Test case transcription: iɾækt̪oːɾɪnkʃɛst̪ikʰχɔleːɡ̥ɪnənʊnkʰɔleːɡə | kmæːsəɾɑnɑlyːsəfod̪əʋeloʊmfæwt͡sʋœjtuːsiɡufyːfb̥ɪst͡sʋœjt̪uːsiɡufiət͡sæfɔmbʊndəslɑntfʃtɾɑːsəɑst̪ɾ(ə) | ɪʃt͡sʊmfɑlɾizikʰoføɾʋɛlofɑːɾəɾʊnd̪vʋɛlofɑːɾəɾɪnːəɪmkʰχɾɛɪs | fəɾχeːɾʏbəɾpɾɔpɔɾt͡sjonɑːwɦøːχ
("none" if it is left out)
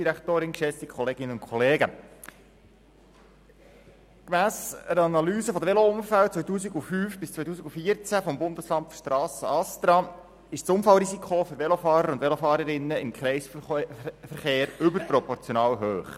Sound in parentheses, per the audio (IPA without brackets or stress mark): ɑ